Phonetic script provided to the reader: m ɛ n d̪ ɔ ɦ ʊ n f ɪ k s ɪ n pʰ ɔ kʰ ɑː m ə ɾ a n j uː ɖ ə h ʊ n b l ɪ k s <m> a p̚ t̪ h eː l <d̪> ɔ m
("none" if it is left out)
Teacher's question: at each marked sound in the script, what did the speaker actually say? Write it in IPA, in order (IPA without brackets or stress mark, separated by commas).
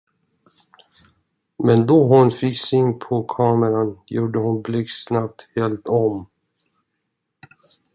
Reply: n, t̪